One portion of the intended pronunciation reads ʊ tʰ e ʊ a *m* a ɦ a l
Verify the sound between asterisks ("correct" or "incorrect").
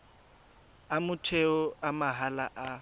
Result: correct